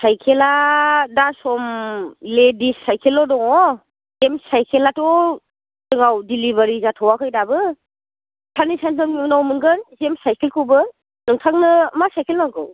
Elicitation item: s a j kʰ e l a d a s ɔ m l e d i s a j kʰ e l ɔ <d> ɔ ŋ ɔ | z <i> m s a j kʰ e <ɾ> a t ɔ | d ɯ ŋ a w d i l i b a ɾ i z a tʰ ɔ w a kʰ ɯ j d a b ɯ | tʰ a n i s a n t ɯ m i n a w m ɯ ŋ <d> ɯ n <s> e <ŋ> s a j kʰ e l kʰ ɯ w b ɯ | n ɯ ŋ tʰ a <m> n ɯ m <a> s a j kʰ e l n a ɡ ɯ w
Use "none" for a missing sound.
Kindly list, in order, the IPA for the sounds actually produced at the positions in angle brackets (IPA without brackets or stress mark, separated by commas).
d, e, l, ɡ, z, m, ŋ, a